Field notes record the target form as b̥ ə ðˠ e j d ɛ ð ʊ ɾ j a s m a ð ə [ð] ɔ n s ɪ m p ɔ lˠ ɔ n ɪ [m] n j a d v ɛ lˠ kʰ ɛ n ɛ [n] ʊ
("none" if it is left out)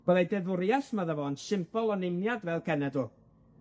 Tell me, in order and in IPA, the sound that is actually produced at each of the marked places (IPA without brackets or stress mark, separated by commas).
v, m, d